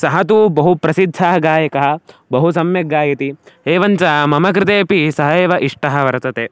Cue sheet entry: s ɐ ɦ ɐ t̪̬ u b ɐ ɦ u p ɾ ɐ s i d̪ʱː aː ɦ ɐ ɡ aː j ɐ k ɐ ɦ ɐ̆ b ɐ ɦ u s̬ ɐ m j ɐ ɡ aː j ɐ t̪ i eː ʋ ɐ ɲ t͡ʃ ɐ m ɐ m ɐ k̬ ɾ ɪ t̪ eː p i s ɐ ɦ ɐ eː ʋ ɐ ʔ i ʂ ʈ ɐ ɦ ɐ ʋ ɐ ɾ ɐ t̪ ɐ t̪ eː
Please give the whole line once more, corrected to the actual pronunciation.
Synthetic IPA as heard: s ɐ ɦ ɐ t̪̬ u b ɐ ɦ u p ɾ ɐ s i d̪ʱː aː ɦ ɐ ɡ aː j ɐ k ɐ ɦ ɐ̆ b ɐ ɦ u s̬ ɐ m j ɐ ɡ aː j ɐ t̪ i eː ʋ ɐ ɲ t͡ʃ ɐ m ɐ m ɐ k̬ ɾ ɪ t̪ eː p i s ɐ ɦ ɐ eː ʋ ɐ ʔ i ʂ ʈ ɐ ɦ ɐ ʋ ɐ ɾ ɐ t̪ ɐ t̪ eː